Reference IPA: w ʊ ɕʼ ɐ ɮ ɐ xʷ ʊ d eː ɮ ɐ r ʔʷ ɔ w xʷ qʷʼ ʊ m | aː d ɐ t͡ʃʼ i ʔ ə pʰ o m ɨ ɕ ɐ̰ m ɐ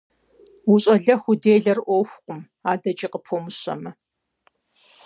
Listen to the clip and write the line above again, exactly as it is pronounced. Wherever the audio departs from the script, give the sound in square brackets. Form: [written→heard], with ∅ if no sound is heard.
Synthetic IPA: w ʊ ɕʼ ɐ ɮ ɐ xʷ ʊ d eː ɮ ɐ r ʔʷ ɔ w xʷ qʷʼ ʊ m | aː d ɐ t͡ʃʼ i [ʔ→q] ə pʰ o m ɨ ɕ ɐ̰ m ɐ